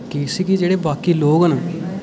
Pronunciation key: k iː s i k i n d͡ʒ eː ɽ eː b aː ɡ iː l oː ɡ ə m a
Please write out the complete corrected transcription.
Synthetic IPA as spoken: k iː s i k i d͡ʒ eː ɽ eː b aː k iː l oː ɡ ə n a